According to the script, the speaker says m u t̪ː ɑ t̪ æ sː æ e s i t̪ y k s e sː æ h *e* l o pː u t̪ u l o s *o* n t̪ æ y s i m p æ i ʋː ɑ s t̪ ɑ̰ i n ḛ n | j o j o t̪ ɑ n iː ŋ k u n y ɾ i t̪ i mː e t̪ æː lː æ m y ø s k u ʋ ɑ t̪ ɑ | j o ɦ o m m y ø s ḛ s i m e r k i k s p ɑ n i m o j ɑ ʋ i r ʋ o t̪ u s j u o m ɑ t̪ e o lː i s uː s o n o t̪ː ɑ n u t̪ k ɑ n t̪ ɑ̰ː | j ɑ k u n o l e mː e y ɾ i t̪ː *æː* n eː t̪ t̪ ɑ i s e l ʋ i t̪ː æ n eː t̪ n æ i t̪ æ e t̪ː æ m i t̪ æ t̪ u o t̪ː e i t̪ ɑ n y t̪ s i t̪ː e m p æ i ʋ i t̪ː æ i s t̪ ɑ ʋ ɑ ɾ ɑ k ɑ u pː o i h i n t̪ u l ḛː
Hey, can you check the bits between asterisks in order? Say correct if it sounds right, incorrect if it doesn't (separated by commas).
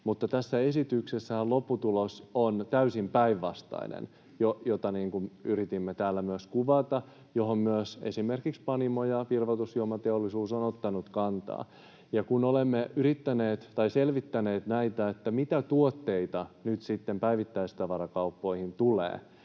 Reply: incorrect, correct, incorrect